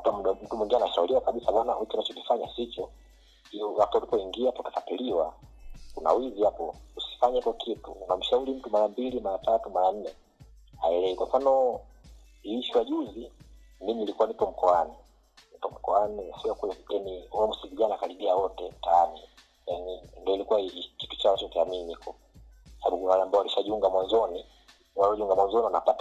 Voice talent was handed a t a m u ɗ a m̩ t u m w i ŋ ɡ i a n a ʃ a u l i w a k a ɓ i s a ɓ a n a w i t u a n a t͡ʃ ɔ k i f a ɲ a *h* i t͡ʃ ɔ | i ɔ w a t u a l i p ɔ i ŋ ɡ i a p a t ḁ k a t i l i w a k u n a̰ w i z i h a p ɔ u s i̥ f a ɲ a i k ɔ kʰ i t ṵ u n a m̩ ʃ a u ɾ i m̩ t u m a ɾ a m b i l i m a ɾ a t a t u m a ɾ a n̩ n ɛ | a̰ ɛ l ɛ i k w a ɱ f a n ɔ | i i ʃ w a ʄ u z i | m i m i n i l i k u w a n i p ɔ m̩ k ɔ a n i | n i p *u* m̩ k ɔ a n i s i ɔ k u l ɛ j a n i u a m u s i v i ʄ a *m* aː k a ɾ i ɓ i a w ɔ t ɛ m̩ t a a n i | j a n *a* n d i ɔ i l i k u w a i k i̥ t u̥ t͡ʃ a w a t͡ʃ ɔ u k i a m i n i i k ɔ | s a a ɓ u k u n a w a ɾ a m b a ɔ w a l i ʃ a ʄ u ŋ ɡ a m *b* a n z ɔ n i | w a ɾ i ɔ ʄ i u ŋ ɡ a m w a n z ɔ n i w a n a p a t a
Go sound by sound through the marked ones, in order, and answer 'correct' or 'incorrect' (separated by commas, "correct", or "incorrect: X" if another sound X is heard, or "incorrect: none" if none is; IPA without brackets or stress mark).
incorrect: s, incorrect: ɔ, incorrect: n, incorrect: i, incorrect: w